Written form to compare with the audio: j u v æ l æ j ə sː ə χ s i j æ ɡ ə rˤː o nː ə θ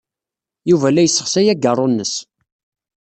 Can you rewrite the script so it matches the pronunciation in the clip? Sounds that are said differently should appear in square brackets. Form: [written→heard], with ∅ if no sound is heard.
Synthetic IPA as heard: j u v æ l æ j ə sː ə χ s [i→æ] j æ ɡ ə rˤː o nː ə [θ→s]